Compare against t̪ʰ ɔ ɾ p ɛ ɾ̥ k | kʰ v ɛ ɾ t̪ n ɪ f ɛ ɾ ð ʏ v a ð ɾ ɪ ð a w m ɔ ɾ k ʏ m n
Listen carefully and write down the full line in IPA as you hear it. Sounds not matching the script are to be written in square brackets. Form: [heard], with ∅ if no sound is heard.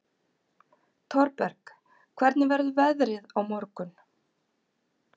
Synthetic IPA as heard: t̪ʰ ɔ ɾ p ɛ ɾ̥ k | kʰ v ɛ ɾ t̪ n ɪ [v] ɛ ɾ ð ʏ v [ɛ] ð ɾ ɪ ð a w m ɔ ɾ k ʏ [∅] n